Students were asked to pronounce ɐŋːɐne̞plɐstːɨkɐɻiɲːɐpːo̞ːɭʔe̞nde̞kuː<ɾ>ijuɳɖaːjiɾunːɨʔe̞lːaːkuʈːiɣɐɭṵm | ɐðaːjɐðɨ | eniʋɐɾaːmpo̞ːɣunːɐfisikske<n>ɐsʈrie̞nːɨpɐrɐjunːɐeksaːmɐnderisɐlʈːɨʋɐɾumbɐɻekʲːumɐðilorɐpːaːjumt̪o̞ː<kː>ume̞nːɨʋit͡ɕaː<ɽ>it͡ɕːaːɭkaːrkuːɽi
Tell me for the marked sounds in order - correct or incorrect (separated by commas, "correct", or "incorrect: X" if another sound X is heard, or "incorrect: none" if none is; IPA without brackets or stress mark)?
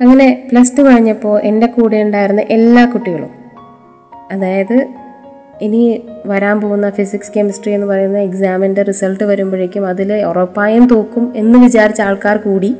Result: incorrect: ɽ, incorrect: m, correct, incorrect: ɾ